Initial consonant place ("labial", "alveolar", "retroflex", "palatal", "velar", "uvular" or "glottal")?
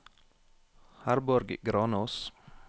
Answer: glottal